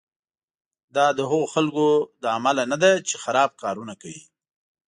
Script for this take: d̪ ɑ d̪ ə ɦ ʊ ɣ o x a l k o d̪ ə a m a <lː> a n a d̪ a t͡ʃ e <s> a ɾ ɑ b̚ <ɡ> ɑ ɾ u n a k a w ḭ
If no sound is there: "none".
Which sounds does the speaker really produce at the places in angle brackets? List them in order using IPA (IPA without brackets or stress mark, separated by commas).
l, x, k